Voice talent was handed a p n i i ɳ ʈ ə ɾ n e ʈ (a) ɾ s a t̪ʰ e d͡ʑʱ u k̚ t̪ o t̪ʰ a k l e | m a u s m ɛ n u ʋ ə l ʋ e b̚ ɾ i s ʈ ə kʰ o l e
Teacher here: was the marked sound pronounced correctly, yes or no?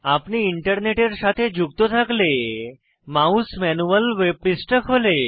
no